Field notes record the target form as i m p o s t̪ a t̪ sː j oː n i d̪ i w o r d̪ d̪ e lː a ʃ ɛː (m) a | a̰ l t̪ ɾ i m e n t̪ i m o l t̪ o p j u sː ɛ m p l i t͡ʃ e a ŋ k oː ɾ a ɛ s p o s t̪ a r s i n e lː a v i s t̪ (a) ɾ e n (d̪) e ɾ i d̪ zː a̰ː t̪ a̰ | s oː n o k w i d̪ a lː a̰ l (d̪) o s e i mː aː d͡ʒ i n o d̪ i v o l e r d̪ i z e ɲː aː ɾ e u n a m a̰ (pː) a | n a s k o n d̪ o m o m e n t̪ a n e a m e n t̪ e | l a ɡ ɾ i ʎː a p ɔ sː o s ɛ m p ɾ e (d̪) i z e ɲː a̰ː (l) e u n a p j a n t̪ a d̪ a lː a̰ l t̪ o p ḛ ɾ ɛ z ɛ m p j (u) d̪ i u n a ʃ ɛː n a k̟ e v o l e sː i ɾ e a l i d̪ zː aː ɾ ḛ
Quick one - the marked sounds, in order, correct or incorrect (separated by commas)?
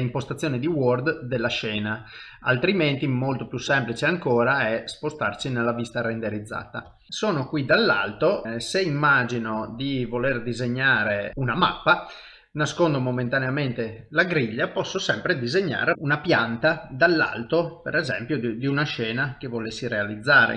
incorrect, correct, correct, incorrect, correct, correct, incorrect, incorrect